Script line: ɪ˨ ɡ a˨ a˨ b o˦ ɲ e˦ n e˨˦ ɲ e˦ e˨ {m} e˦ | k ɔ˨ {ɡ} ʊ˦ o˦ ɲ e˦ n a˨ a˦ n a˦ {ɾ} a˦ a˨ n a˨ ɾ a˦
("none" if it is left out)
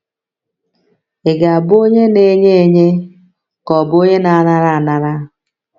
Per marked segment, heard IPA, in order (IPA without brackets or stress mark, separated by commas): ɲ, b, ɾ